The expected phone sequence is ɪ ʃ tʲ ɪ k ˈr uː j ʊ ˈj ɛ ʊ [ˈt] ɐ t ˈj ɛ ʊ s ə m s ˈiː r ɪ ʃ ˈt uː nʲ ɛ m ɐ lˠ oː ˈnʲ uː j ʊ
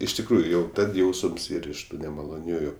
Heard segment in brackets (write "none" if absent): t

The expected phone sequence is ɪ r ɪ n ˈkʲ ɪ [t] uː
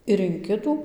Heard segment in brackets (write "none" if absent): t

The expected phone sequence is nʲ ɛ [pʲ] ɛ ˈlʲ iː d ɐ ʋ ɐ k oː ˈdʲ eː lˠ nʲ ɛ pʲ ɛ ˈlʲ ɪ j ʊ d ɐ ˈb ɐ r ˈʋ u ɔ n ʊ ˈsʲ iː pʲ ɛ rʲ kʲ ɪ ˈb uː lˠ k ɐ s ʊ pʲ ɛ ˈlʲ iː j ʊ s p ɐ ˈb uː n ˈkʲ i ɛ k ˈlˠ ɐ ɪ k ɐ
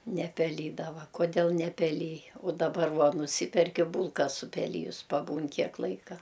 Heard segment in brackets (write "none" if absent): pʲ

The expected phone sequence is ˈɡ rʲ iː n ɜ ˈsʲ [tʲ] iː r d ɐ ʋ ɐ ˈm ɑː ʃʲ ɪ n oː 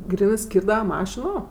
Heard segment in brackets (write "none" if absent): kʲ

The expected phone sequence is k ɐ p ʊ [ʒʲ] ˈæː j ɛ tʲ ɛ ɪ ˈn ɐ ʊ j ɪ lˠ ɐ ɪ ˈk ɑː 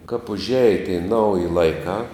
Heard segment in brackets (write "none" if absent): ʒʲ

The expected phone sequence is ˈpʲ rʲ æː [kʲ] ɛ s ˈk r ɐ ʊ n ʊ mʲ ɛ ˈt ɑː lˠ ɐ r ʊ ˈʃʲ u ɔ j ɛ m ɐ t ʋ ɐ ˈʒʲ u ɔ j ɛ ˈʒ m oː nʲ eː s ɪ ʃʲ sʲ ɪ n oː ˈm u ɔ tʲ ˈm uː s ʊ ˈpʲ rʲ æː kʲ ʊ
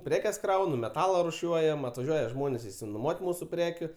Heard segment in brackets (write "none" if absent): kʲ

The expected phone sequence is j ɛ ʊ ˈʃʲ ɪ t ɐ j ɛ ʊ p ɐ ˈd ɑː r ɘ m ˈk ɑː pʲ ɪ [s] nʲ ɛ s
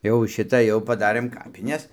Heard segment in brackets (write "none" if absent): none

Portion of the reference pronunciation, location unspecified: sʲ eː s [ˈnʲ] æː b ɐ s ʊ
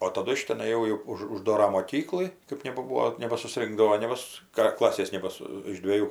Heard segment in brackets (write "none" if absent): nʲ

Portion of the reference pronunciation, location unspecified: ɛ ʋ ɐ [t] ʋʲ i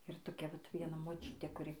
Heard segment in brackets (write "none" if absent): t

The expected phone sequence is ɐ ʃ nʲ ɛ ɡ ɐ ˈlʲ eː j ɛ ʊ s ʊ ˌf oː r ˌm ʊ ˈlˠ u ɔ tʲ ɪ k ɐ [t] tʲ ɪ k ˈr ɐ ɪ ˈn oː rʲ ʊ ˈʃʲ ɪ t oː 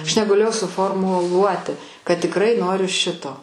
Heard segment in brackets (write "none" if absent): t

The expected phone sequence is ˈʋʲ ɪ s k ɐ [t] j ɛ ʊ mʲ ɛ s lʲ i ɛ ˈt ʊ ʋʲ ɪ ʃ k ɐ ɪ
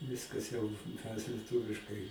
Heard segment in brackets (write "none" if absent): s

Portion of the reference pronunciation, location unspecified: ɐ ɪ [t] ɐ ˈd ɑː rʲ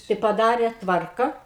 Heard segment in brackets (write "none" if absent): p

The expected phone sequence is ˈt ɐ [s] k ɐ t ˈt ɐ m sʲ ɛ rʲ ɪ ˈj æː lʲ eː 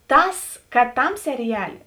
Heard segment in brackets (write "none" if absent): s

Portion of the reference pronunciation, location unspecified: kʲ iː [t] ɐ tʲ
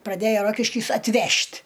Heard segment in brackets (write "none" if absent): s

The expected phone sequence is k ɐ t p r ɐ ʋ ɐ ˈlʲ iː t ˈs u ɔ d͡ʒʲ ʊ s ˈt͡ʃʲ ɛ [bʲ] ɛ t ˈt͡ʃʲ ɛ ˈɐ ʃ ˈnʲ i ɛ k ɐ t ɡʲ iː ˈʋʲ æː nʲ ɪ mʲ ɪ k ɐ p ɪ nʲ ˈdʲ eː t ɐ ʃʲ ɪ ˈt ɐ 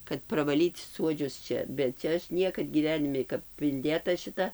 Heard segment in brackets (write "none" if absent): bʲ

